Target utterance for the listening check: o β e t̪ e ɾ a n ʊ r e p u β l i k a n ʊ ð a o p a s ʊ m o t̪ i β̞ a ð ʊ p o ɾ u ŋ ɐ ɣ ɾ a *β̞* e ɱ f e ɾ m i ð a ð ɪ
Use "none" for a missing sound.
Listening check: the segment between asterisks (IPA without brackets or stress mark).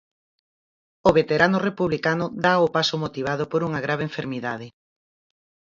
β̞